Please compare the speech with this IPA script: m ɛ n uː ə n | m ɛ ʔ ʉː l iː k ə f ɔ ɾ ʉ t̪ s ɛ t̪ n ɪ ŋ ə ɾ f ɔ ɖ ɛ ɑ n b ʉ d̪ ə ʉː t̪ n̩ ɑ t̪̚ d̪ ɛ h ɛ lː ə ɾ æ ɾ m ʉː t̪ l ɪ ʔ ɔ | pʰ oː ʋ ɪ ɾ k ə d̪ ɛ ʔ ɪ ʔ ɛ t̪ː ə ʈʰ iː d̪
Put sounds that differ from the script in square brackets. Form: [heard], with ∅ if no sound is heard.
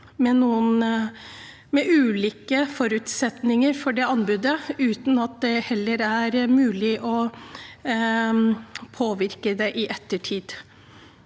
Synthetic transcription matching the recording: m ɛ n uː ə n | m ɛ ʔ ʉː l iː k ə f ɔ ɾ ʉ t̪ s ɛ t̪ n ɪ ŋ ə ɾ f ɔ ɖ ɛ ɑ n b ʉ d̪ ə ʉː t̪ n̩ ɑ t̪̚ d̪ ɛ h ɛ lː ə ɾ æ ɾ m ʉː [∅] l ɪ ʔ ɔ | pʰ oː ʋ ɪ ɾ k ə d̪ ɛ ʔ ɪ ʔ ɛ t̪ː ə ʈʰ iː d̪